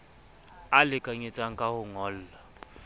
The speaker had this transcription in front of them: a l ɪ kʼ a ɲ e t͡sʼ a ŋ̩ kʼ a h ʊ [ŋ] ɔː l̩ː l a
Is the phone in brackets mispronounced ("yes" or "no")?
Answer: no